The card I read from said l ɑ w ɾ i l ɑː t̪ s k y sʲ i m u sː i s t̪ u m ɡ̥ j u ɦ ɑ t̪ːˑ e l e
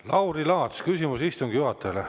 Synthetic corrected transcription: l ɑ w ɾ i l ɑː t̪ s k y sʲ i m u s i s t̪ u ŋ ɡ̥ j u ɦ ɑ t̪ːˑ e l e